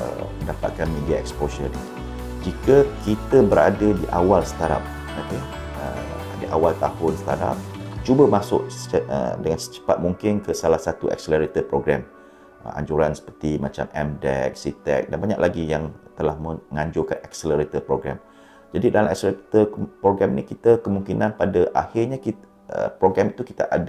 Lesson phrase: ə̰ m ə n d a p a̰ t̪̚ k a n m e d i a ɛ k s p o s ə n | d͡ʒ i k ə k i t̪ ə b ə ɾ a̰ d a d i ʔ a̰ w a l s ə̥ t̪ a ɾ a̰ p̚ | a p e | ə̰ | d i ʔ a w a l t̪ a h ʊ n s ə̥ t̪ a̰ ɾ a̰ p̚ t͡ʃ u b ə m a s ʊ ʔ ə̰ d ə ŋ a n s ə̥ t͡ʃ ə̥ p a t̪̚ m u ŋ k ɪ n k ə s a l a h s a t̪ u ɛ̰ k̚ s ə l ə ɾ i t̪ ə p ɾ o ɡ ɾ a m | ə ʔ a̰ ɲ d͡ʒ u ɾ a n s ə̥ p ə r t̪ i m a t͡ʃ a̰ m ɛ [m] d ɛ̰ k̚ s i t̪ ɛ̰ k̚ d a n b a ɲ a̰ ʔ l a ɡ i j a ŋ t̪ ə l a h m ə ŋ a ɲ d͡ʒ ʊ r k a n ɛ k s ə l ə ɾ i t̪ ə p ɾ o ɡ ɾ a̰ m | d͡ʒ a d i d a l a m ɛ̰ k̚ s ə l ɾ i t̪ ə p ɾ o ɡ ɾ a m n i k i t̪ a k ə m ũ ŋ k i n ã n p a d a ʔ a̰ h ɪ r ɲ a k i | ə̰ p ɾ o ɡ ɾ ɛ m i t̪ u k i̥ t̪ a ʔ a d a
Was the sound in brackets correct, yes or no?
yes